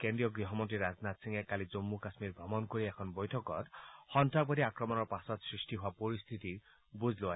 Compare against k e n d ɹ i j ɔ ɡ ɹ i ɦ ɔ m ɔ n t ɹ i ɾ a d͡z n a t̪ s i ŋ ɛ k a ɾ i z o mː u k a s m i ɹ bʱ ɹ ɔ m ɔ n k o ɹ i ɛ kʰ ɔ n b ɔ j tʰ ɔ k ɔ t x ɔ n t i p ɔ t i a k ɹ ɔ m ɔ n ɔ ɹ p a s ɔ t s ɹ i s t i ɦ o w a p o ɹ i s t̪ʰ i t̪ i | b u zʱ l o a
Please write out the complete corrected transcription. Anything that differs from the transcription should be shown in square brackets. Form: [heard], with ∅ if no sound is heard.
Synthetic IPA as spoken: k e n d ɹ i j ɔ ɡ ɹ i ɦ ɔ m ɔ n t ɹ i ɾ a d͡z n a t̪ s i ŋ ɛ k a [l] i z o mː u k a s m i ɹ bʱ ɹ ɔ m ɔ n k o ɹ i ɛ kʰ ɔ n b ɔ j tʰ ɔ k ɔ t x ɔ n t [a] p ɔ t i a k ɹ ɔ m ɔ n ɔ ɹ p a s ɔ t s ɹ i s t i ɦ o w a p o ɹ i s t̪ʰ i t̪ i | b u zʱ l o a